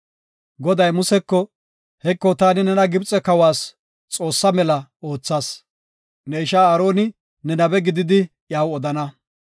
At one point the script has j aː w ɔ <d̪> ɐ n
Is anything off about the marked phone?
no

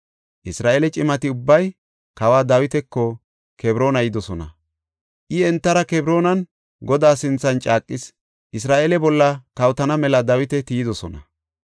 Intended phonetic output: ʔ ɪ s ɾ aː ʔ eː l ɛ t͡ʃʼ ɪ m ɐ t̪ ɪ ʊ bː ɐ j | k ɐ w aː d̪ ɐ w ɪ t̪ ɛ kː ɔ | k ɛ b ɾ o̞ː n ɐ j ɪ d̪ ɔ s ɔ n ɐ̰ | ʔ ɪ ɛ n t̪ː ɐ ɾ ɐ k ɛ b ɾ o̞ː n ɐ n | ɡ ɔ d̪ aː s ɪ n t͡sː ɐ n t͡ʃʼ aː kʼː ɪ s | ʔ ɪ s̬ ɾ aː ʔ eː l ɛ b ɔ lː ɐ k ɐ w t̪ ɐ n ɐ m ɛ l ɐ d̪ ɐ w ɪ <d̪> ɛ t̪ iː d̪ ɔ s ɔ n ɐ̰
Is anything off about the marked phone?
yes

